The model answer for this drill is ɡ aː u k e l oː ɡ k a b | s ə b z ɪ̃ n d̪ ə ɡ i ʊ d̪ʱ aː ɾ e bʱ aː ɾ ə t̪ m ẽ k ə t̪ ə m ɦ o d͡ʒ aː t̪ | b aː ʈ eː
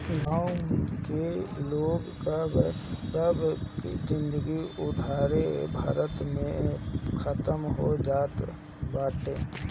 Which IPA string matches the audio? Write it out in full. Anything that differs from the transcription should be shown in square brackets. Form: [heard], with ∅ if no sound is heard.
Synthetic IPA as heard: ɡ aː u k e l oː ɡ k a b | s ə b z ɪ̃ n d̪ ə ɡ i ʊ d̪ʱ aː ɾ e bʱ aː ɾ ə t̪ m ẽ [kʰ] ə t̪ ə m ɦ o d͡ʒ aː t̪ | b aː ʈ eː